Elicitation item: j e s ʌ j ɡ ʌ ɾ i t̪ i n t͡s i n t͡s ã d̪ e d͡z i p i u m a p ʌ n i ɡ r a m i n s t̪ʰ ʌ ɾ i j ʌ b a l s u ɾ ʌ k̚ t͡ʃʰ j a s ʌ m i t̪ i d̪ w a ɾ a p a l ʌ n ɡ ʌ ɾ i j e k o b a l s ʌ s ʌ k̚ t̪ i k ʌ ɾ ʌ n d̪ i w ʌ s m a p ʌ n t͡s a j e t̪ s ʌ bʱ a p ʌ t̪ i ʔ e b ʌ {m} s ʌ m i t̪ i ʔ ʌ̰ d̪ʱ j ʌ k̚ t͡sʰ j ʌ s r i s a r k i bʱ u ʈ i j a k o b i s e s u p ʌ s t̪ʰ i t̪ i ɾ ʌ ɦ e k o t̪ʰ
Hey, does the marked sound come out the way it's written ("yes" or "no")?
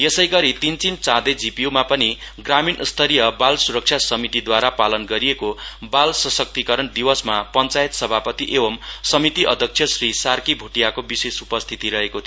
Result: yes